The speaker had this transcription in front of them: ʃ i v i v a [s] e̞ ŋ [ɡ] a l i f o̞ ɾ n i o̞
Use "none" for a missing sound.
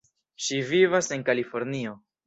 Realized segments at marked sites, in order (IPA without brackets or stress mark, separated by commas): s, k